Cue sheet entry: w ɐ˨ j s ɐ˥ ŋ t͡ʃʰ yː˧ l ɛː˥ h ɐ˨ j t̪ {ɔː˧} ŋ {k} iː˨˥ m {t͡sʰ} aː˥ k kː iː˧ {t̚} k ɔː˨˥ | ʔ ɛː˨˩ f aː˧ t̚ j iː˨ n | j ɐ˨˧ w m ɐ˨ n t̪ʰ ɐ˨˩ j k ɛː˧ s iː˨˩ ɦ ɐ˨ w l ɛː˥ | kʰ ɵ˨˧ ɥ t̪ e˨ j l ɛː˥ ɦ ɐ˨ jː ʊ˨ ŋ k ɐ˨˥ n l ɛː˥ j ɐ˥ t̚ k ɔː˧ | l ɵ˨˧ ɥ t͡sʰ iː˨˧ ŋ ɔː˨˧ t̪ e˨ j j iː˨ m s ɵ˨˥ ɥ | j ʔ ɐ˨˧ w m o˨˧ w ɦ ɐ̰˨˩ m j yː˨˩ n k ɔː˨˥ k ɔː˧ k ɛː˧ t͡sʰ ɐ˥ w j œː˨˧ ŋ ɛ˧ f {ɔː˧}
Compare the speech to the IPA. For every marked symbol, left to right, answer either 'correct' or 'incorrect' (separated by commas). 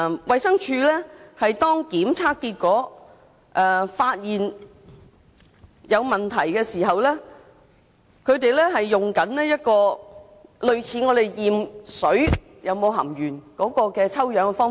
incorrect, correct, correct, correct, incorrect